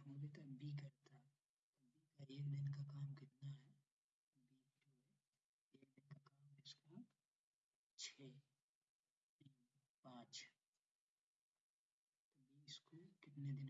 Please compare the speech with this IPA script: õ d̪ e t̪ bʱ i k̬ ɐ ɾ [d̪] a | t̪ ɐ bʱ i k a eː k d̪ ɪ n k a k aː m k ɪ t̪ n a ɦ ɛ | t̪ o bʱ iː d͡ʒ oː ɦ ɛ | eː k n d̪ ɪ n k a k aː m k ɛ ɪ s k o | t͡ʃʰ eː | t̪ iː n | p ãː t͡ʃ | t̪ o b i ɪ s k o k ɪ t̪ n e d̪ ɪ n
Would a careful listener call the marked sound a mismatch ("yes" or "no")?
yes